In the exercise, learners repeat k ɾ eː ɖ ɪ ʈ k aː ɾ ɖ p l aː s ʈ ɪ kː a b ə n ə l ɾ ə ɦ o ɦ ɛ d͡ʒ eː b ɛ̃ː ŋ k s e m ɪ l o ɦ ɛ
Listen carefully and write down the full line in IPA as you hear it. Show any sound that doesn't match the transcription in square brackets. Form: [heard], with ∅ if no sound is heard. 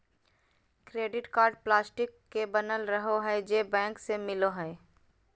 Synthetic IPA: k ɾ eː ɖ ɪ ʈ k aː ɾ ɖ p l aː s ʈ ɪ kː [e] b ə n ə l ɾ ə ɦ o ɦ ɛ d͡ʒ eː b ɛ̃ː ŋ k s e m ɪ l o ɦ ɛ